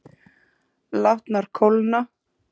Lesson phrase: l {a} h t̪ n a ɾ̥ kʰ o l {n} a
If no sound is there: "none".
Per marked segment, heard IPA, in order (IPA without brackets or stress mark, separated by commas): a, n